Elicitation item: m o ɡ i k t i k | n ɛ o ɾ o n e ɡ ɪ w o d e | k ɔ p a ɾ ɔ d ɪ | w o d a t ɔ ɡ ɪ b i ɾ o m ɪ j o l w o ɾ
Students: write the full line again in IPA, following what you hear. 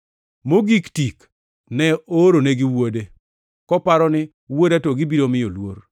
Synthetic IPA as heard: m o ɡ i k t i k | n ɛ o ɾ o n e ɡ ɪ w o d e | k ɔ p a ɾ ɔ n ɪ | w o d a t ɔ ɡ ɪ b i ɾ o m ɪ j o l w o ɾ